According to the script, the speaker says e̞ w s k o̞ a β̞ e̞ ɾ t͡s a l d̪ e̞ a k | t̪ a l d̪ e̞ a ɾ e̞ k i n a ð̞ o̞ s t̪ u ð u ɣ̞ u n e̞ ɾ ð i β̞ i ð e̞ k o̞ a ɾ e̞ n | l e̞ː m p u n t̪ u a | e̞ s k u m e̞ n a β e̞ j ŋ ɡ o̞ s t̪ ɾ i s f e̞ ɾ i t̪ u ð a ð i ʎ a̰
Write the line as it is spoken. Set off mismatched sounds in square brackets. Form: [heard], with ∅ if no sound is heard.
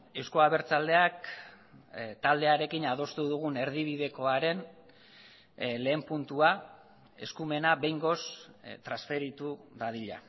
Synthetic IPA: e̞ w s k o̞ a β̞ e̞ ɾ t͡s a l d̪ e̞ a k | t̪ a l d̪ e̞ a ɾ e̞ k i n a ð̞ o̞ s t̪ u ð u ɣ̞ u n e̞ ɾ ð i β̞ i ð e̞ k o̞ a ɾ e̞ n | l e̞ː m p u n t̪ u a | e̞ s k u m e̞ n a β e̞ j ŋ ɡ o̞ s t̪ ɾ [a] s f e̞ ɾ i t̪ u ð a ð i ʎ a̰